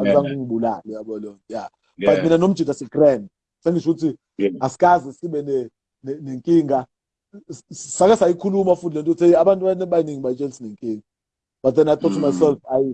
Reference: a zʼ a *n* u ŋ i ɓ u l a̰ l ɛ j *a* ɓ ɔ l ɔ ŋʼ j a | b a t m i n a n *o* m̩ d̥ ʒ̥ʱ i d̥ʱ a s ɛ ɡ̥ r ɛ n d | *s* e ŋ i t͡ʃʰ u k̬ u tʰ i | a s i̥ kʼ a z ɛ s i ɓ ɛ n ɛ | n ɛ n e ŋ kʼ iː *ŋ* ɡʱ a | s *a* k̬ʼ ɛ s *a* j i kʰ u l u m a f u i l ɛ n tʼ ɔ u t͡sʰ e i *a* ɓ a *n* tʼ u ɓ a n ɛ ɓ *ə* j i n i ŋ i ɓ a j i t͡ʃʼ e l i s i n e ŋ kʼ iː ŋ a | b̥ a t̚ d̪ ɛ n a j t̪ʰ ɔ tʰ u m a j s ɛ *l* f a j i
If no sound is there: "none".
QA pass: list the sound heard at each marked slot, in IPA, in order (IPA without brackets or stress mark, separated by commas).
ŋ, a, o, s, ŋ, a, a, a, n, a, l